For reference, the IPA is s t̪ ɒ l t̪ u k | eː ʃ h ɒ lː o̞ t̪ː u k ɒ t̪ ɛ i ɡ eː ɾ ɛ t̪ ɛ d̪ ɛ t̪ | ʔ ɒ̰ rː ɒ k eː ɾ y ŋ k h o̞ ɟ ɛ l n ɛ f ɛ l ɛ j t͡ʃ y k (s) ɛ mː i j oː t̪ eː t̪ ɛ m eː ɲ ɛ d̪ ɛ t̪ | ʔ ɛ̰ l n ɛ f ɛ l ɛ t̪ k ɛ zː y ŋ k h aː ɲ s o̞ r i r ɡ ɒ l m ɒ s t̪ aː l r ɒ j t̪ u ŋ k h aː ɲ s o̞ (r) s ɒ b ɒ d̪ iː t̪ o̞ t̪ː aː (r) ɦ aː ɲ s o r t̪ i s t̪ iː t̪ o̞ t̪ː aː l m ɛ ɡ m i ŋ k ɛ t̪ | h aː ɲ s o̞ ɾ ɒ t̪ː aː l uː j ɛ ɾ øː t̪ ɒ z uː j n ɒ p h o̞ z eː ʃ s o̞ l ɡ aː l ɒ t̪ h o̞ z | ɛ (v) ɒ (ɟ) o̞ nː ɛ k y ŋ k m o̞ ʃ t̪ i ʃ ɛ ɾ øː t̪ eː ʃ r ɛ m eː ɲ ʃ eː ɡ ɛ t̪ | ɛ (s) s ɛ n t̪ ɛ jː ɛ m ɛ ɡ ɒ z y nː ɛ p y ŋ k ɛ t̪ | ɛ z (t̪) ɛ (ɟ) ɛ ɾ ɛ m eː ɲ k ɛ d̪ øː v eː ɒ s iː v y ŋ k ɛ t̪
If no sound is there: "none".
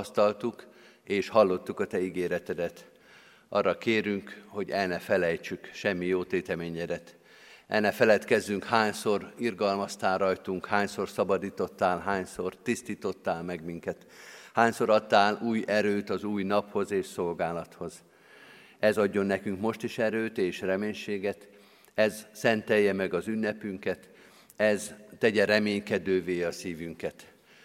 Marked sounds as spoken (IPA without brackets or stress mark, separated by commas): ʃ, r, l, z, ɟː, z, t̪, ɟ